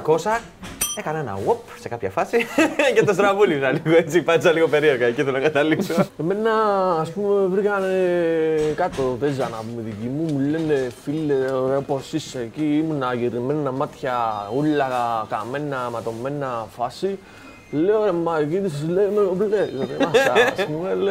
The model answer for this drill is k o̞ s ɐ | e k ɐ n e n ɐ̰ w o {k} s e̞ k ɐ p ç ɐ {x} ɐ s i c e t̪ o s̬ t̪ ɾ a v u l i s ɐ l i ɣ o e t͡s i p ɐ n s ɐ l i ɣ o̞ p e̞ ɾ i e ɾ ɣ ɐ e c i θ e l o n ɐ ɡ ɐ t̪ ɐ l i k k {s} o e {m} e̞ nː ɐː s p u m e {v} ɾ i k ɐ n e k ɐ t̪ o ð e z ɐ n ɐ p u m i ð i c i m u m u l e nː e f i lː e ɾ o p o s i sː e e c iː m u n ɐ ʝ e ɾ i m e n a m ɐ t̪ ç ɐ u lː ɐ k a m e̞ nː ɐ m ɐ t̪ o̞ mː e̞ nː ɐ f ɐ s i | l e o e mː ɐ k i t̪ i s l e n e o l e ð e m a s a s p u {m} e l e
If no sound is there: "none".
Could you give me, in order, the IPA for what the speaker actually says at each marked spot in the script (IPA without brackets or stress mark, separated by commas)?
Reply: p, f, s, m, v, m